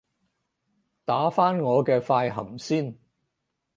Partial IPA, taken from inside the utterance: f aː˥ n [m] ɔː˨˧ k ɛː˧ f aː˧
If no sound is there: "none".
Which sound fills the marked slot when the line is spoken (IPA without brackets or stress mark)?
ŋ